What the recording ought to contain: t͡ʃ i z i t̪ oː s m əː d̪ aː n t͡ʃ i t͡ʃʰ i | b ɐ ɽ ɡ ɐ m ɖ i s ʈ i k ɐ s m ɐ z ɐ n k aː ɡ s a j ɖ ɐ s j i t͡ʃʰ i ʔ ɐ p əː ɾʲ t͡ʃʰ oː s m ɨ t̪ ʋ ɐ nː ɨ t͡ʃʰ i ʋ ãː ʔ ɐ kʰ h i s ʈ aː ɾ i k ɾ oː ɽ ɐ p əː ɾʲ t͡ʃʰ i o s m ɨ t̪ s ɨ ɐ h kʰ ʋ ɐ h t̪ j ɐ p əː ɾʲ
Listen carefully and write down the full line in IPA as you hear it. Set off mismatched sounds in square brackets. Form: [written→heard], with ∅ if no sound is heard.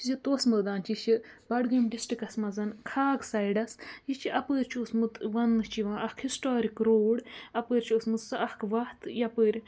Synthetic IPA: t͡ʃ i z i t̪ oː s m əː d̪ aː n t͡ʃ i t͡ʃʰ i | b ɐ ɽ ɡ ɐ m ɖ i s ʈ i k ɐ s m ɐ z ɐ n [k→kʰ] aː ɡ s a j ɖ ɐ s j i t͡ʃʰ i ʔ ɐ p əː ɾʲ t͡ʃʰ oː s m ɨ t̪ ʋ ɐ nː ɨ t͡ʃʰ i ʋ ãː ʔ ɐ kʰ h i s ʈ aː ɾ i k ɾ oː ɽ ɐ p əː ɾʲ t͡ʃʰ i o s m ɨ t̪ s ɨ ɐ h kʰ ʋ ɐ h t̪ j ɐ p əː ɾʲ